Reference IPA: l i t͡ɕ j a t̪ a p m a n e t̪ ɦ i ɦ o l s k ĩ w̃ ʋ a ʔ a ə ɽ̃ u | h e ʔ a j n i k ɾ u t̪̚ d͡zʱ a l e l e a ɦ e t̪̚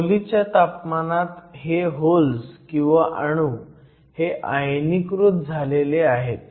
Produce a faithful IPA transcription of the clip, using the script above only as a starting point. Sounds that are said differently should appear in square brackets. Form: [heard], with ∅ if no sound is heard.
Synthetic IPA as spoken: l i t͡ɕ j a t̪ a p m a n [a] t̪ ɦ [e] ɦ o l s k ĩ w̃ ʋ a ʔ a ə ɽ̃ u | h e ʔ a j n i k ɾ u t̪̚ d͡zʱ a l e l e a ɦ e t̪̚

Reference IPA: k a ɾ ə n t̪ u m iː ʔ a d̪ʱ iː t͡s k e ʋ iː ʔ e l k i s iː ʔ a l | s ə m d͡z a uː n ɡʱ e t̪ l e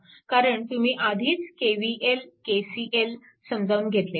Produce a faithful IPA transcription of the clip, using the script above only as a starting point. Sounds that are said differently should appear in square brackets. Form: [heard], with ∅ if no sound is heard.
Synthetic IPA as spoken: k a ɾ ə [ɳ] t̪ u m iː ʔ a d̪ʱ iː t͡s k e ʋ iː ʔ e l k [e] s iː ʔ [e] l | s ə m d͡z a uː n ɡʱ e t̪ l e

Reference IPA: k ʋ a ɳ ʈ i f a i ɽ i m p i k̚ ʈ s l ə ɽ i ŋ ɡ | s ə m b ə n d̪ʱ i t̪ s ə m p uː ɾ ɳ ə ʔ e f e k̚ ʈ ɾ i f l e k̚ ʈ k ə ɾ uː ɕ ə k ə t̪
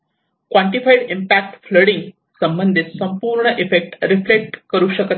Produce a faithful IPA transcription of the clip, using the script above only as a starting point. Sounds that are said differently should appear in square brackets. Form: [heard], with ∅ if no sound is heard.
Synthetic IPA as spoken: k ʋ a ɳ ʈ i f a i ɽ i m p [æ] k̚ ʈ [f] l ə ɽ i ŋ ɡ | s ə m b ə n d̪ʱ i t̪ s ə m p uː ɾ ɳ ə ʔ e f e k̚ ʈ ɾ i f l e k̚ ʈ k ə ɾ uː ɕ ə k ə t̪

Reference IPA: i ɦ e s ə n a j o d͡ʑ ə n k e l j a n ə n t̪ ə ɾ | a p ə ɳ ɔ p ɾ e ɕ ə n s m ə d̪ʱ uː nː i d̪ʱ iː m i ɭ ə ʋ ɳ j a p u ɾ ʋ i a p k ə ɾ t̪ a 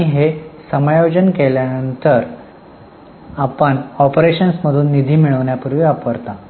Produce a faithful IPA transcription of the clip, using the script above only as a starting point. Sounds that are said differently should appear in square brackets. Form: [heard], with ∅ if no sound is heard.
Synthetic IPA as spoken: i ɦ e s ə [m] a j o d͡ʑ ə n k e l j a n ə n t̪ ə ɾ | a p ə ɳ ɔ p ɾ e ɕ ə n s m ə d̪ʱ uː nː i d̪ʱ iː m i ɭ ə ʋ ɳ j a p u ɾ ʋ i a p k ə ɾ t̪ a

